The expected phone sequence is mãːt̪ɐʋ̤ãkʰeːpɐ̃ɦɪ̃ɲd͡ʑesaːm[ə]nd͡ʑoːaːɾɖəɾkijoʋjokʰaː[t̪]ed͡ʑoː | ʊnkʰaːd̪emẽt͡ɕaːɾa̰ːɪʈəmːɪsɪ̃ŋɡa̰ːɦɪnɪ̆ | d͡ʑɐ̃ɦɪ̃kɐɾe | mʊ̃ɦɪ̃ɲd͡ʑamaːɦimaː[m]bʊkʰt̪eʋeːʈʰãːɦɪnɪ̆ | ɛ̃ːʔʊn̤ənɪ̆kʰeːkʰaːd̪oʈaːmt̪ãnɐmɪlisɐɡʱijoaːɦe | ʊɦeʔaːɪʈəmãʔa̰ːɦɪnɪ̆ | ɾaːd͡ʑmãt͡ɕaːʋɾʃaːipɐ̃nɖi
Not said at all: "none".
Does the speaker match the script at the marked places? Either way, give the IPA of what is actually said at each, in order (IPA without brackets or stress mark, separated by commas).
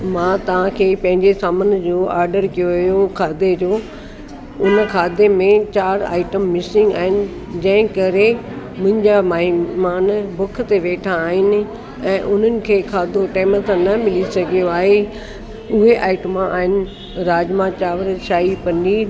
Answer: ə, d̪, n